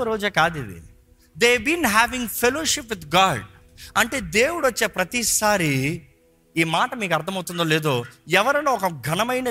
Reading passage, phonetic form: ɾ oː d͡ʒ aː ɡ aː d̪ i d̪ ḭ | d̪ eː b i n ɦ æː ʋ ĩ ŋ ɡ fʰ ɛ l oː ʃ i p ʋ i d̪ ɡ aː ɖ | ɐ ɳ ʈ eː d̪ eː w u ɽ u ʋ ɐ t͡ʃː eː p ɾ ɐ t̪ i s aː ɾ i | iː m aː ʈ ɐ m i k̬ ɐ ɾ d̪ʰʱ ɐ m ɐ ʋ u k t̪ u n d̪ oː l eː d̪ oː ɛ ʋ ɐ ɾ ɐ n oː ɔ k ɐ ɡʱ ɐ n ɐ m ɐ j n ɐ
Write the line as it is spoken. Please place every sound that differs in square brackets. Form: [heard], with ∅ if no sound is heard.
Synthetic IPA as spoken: ɾ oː d͡ʒ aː [k] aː d̪ i d̪ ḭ | d̪ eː b i n ɦ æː ʋ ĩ ŋ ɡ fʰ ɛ l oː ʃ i p ʋ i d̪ ɡ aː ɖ | ɐ ɳ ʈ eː d̪ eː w u ɽ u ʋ ɐ t͡ʃː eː p ɾ ɐ t̪ i s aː ɾ i | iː m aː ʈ ɐ m [iː] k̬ ɐ ɾ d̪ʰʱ ɐ m ɐ [w] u [∅] t̪ u n d̪ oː l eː d̪ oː ɛ ʋ ɐ ɾ ɐ n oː ɔ k ɐ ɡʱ ɐ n ɐ m ɐ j n ɐ